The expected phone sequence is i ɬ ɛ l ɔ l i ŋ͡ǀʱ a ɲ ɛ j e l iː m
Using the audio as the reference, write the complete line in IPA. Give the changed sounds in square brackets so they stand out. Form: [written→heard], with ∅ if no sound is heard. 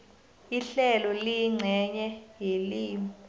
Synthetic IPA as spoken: i ɬ ɛ l ɔ l i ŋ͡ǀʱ [a→ɛ] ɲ ɛ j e l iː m